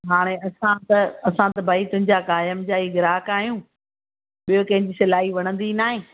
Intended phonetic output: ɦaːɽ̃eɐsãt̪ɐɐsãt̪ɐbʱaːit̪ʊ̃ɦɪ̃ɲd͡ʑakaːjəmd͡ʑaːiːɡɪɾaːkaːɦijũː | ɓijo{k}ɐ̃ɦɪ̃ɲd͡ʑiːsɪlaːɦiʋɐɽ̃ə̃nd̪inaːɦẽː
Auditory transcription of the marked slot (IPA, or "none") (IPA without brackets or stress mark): k